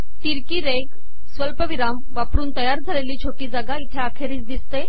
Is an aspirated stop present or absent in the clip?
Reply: present